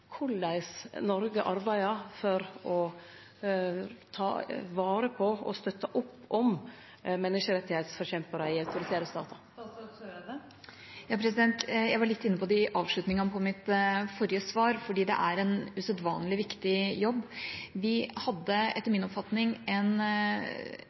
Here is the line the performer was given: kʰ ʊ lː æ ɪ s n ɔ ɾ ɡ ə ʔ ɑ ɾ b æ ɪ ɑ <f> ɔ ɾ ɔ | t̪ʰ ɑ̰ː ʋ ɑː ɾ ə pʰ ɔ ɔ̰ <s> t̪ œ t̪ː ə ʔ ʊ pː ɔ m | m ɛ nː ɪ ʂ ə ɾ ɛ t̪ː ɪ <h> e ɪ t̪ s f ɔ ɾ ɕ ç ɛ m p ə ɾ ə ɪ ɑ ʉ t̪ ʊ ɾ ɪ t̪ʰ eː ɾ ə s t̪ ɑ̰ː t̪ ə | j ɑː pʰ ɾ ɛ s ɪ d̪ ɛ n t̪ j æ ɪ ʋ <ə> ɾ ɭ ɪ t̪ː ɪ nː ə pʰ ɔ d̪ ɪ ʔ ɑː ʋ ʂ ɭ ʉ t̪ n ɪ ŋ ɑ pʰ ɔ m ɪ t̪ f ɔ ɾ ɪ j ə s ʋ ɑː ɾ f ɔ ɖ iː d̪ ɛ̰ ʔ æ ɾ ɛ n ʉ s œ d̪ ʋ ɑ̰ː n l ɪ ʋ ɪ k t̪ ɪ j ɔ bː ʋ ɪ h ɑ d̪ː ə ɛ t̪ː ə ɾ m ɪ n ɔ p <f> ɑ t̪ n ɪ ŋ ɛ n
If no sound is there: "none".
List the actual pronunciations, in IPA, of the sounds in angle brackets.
f, s, h, ɑ, f

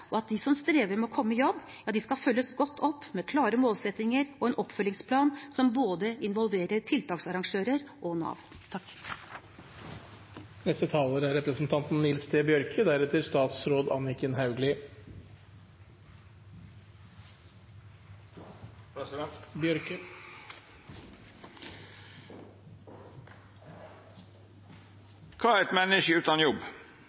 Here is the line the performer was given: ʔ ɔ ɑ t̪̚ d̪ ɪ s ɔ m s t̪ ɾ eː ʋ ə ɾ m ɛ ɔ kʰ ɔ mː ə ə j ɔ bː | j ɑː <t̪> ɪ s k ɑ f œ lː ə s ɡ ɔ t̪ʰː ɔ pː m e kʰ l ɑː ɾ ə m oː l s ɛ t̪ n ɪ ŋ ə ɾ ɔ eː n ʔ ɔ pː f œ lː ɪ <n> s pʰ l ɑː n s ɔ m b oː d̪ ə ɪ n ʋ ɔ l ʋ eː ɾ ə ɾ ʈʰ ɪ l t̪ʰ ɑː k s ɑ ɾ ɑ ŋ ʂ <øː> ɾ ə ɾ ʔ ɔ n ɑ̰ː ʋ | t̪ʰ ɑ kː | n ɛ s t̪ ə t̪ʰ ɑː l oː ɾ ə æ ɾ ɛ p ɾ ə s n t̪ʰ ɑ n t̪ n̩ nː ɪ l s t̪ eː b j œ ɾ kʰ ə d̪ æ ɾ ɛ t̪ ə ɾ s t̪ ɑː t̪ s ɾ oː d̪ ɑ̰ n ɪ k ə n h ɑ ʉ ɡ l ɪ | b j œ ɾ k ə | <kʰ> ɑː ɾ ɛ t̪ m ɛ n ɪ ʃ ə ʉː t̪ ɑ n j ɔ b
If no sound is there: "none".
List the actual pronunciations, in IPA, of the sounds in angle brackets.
d̪, ŋ, øː, kʰ

